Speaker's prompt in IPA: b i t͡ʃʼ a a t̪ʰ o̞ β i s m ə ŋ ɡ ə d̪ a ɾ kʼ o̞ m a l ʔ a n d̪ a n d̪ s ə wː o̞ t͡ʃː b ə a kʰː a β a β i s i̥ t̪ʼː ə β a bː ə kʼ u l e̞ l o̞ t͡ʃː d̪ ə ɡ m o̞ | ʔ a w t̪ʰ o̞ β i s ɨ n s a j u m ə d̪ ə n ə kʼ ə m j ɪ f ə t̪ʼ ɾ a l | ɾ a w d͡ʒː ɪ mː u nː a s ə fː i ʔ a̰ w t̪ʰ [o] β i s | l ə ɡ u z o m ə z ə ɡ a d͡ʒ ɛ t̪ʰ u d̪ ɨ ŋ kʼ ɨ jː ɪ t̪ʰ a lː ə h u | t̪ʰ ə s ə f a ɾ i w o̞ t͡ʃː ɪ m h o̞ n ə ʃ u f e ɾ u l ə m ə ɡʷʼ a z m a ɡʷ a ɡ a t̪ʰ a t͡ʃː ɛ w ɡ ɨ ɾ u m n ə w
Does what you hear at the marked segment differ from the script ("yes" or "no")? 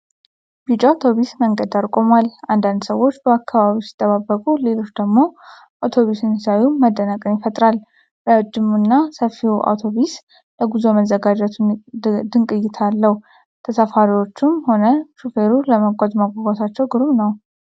no